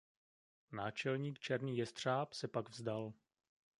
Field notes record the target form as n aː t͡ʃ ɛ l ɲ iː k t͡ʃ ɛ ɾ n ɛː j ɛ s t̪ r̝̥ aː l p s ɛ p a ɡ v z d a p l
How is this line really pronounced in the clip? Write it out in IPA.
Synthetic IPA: n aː t͡ʃ ɛ l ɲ iː k t͡ʃ ɛ ɾ n iː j ɛ s t̪ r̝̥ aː p s ɛ p a ɡ v z d a l